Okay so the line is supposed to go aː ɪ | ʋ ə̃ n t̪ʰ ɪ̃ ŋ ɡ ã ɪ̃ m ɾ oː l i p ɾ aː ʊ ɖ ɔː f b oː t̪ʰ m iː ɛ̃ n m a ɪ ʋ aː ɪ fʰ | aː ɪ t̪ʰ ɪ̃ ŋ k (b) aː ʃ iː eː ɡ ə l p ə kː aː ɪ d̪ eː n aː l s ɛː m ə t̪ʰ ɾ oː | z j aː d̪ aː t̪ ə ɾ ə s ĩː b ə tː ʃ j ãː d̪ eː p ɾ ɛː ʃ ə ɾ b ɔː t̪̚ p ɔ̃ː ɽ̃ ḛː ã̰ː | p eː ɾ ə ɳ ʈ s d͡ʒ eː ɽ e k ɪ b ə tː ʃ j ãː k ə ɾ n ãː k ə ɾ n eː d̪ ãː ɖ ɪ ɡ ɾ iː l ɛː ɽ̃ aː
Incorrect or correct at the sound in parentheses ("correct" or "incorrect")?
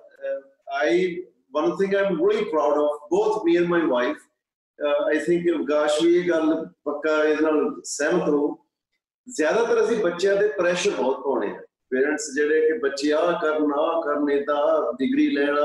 incorrect